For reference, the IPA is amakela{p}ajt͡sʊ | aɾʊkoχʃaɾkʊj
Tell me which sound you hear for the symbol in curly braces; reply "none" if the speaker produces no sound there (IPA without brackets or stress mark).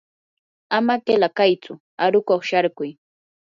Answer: k